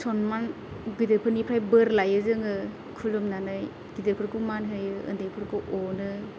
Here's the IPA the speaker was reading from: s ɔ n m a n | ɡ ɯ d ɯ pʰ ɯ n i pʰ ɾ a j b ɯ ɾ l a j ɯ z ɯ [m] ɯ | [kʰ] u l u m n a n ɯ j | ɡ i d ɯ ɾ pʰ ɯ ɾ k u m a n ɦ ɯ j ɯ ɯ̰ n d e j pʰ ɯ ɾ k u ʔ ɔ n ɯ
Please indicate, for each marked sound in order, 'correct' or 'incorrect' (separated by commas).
incorrect, correct